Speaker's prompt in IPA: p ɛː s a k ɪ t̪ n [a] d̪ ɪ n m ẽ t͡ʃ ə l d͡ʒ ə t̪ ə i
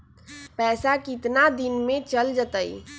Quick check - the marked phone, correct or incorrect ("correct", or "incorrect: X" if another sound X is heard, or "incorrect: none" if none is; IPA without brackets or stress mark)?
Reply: correct